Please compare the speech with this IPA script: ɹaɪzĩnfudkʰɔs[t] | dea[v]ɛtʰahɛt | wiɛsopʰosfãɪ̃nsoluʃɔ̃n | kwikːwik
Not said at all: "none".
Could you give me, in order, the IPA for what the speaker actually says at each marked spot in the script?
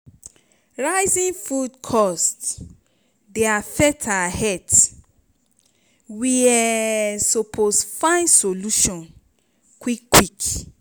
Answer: t, f

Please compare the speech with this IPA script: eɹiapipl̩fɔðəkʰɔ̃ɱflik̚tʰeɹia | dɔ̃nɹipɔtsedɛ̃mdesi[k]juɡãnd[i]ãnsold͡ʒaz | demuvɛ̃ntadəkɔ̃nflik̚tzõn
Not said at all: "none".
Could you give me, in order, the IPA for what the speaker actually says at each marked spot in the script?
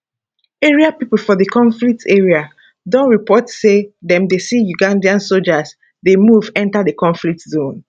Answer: none, i

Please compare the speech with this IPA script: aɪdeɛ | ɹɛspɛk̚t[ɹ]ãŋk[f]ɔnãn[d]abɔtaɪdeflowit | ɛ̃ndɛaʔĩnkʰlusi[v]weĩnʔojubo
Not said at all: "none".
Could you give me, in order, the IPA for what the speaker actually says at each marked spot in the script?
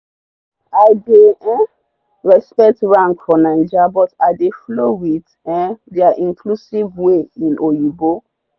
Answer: ɹ, f, d͡ʒ, v

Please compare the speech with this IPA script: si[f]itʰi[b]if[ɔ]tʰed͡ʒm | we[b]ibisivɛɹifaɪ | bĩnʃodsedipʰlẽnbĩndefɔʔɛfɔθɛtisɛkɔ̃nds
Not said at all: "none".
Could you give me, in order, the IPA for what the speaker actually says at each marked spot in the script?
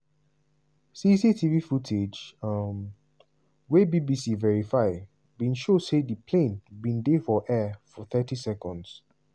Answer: s, v, u, b

